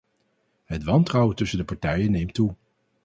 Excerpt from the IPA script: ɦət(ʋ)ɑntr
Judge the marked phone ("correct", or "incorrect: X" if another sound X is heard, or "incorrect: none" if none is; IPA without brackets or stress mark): correct